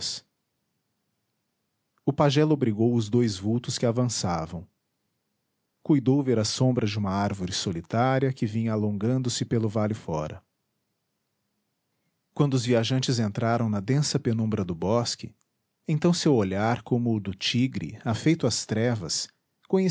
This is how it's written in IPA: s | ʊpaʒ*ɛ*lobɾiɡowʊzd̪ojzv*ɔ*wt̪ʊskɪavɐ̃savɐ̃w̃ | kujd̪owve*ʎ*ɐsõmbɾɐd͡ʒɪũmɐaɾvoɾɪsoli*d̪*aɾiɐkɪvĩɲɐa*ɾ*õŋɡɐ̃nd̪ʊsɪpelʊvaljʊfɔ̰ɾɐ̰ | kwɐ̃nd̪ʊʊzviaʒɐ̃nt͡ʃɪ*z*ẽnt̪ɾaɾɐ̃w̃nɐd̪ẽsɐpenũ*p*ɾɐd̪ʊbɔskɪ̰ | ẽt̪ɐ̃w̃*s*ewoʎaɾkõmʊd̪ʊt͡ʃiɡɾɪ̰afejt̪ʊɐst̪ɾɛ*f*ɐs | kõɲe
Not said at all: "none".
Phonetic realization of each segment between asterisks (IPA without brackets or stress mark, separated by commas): ɛ, u, ɾ, t̪, l, z, b, s, v